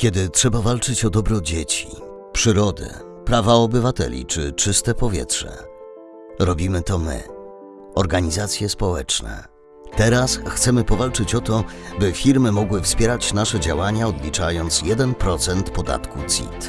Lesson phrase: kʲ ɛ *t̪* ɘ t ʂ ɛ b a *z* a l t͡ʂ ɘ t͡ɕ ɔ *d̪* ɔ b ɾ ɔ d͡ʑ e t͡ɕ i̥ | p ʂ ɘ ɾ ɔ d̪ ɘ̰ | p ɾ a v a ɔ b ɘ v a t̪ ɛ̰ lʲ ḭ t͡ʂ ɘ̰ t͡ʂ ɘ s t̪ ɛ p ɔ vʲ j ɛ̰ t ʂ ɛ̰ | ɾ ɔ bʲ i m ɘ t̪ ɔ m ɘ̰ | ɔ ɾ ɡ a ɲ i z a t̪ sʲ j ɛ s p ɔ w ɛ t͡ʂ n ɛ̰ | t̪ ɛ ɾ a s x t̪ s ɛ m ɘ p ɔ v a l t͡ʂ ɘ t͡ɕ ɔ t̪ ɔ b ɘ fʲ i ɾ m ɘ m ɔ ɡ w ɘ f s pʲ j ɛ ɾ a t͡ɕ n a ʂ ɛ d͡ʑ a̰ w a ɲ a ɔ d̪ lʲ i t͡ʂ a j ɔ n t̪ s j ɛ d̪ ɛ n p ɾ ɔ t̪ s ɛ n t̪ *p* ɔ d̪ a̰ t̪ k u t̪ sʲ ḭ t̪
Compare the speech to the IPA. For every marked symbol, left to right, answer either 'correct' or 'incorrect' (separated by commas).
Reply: incorrect, incorrect, correct, correct